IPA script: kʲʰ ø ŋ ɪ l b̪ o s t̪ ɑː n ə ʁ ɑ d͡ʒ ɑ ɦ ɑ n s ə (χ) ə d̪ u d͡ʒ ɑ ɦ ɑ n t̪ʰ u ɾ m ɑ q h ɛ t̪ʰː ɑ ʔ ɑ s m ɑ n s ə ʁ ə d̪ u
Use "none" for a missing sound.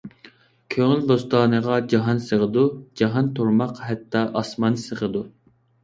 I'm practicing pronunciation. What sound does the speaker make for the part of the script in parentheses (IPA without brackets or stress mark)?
ʁ